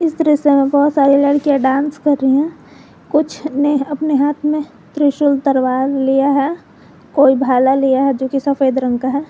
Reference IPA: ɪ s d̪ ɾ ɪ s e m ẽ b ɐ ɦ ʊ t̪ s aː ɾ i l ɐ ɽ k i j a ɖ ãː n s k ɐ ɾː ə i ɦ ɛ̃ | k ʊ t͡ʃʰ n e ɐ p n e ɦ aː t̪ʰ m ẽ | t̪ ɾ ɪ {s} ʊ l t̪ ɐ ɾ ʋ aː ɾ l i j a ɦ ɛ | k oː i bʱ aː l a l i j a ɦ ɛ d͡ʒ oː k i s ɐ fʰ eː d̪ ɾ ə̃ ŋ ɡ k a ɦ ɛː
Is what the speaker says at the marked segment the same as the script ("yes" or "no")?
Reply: no